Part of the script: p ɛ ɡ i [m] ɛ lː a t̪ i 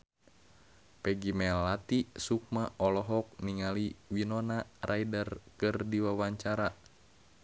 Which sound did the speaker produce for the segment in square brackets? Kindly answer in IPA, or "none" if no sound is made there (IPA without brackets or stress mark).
m